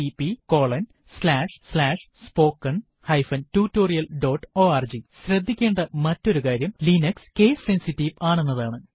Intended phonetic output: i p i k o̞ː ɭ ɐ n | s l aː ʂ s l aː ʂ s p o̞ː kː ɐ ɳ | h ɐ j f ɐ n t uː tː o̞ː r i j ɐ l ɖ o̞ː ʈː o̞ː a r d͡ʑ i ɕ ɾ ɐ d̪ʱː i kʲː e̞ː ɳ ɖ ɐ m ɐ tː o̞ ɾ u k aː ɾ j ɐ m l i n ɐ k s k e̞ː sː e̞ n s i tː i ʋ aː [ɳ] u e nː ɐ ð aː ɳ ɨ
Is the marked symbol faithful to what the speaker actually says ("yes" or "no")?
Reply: yes